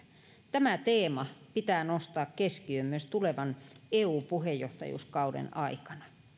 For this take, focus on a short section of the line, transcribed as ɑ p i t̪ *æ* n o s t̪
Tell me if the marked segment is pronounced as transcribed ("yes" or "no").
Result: no